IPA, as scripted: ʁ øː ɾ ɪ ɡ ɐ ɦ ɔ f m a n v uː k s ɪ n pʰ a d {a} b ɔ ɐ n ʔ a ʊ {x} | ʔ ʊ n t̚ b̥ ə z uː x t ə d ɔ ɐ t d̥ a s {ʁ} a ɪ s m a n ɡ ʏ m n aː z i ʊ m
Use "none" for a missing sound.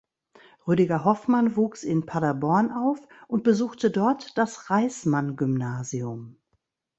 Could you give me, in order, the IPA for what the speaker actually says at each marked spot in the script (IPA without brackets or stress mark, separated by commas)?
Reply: a, f, ʁ